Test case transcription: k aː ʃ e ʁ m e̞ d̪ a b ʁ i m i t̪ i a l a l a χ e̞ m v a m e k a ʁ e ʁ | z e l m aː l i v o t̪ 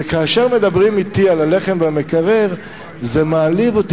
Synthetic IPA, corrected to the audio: k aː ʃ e ʁ m e̞ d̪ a b ʁ i m i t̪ i a l a l e χ e̞ m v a m e k a ʁ e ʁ | z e m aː l i v o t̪